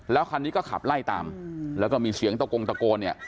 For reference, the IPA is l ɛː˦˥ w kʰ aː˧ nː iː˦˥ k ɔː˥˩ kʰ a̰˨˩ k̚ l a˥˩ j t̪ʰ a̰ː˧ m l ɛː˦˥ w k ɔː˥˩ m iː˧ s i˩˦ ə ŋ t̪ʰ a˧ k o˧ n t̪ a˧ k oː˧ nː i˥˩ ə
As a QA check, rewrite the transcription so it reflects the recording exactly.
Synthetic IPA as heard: l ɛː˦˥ w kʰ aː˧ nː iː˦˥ k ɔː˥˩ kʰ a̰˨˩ p̚ l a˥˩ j t̪ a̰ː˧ m l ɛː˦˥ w k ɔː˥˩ m iː˧ s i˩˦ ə ŋ t̪ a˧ k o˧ ŋ t̪ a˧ k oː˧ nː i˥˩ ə

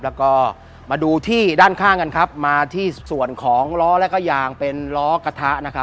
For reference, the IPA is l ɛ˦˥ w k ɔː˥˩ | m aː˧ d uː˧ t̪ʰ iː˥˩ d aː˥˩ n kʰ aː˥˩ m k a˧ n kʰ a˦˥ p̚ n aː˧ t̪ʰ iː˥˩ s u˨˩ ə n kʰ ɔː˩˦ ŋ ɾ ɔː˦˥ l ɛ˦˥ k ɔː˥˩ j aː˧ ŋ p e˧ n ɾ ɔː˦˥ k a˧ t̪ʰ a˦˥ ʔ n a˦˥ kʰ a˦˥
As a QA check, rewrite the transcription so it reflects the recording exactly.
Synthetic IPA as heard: l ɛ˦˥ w k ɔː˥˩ | m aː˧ d uː˧ t̪ʰ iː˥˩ d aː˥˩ n kʰ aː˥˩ ŋ k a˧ n kʰ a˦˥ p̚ m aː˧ t̪ʰ iː˥˩ s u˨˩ ə n kʰ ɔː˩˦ ŋ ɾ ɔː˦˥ l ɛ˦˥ k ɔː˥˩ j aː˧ ŋ p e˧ n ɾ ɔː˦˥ k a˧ t̪ʰ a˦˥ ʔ n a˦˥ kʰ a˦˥

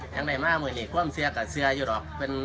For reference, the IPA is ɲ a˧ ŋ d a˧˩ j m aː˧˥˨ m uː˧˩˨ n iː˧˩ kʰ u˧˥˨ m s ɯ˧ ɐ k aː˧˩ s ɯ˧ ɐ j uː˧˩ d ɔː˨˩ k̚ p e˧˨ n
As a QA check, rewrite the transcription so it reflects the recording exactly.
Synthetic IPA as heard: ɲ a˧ ŋ d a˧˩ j m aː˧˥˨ m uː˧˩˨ n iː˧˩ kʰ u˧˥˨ m s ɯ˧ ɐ k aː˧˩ s ɯ˧ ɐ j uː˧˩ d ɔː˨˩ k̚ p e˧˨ n

